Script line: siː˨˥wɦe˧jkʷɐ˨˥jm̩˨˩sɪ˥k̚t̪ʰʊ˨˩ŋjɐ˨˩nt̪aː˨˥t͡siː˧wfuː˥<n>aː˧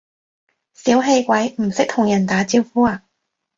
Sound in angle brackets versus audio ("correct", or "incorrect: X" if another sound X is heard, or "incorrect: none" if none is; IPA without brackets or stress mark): incorrect: none